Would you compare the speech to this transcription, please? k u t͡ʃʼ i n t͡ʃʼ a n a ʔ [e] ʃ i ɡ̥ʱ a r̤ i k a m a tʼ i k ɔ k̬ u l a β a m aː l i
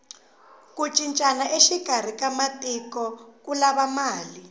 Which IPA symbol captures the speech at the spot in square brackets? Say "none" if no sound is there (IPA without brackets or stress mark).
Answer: e